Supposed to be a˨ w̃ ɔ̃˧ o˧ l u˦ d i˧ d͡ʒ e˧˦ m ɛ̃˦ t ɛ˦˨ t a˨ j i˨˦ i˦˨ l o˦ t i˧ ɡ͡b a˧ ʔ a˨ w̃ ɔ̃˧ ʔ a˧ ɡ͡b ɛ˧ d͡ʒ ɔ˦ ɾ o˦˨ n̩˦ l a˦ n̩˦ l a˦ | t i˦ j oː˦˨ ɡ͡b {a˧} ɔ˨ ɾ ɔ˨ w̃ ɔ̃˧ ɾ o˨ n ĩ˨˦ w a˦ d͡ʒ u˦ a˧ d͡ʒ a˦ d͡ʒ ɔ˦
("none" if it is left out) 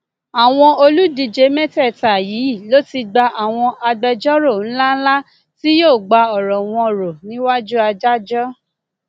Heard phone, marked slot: a˧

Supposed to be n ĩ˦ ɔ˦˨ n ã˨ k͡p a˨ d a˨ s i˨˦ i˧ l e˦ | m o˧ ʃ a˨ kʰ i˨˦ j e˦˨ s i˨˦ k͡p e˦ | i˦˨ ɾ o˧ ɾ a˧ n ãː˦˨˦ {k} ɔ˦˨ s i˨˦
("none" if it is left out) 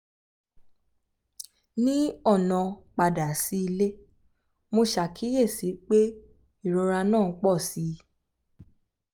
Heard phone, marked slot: k͡p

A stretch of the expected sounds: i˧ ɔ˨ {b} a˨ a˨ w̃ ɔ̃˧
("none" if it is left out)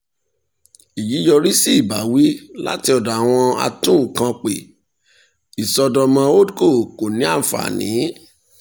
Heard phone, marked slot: d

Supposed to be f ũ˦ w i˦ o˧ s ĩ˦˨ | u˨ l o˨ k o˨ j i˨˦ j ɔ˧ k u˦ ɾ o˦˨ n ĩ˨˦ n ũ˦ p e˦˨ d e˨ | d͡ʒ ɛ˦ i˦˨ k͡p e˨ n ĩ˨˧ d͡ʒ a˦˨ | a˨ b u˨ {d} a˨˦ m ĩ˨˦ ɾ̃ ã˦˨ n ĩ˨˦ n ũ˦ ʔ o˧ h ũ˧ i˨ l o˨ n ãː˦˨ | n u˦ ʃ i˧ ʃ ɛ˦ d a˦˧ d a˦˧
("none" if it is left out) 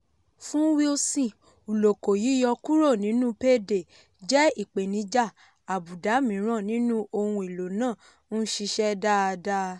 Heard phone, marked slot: d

